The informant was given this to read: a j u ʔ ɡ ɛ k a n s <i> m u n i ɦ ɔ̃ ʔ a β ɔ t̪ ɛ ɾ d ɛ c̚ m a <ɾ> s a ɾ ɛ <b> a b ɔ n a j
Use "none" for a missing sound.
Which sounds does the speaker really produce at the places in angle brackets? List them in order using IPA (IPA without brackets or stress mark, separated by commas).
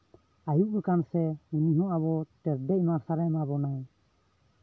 ɛ, ɾ, m